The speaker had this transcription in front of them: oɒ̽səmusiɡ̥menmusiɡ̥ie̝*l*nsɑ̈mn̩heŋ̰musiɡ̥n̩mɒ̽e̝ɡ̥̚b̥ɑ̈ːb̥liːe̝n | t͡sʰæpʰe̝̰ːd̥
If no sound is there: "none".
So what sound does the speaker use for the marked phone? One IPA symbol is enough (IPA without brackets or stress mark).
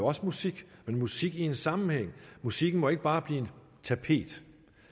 none